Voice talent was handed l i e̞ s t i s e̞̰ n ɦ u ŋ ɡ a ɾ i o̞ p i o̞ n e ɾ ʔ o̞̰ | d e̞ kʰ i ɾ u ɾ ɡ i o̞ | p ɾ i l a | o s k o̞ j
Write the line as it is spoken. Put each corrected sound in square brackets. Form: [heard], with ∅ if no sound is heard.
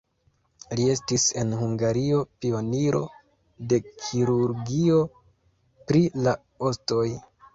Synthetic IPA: l i e̞ s t i s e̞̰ n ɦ u ŋ ɡ a ɾ i o̞ p i o̞ n [i] ɾ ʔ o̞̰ | d e̞ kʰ i ɾ u ɾ ɡ i o̞ | p ɾ i l a | o s [t] o̞ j